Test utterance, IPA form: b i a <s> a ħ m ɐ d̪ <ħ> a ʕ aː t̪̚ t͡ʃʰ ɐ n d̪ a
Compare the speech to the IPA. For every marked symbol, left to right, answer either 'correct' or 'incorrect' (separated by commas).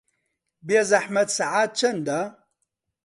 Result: incorrect, incorrect